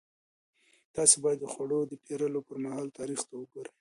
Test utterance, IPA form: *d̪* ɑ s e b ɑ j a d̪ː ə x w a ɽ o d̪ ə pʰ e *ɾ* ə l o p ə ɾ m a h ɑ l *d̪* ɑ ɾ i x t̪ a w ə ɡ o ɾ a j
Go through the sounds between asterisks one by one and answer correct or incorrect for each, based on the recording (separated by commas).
incorrect, correct, incorrect